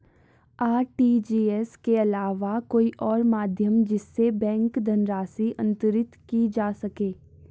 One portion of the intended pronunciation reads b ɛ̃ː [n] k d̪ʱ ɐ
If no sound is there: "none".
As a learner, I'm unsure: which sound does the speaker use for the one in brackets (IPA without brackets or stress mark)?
ŋ